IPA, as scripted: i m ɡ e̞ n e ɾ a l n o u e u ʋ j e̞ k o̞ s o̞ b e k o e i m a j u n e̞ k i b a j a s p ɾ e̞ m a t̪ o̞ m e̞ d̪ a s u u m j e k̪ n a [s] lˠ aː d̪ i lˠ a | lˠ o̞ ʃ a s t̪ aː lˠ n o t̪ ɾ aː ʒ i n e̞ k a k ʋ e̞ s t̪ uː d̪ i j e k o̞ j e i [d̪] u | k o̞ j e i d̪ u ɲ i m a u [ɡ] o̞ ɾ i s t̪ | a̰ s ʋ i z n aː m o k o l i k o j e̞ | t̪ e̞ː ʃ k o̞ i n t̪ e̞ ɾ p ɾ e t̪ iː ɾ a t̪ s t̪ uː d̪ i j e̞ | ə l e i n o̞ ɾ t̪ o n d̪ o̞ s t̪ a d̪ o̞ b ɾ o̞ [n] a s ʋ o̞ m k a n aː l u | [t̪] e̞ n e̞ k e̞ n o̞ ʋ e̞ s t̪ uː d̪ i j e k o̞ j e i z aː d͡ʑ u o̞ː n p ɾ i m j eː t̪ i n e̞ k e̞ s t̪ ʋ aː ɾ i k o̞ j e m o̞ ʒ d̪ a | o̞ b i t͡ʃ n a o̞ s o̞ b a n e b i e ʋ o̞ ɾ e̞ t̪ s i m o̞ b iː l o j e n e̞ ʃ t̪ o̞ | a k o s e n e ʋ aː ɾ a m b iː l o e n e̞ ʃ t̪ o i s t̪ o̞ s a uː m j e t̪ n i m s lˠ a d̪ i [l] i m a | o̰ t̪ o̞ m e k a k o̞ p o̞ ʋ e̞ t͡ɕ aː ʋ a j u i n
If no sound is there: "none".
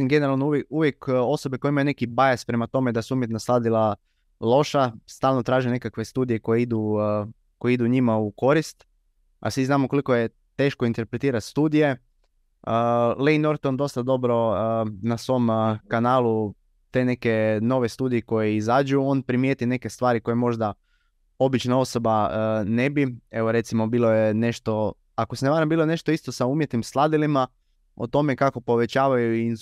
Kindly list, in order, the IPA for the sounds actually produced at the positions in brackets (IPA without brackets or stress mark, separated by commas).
s, d̪, k, n, t̪, l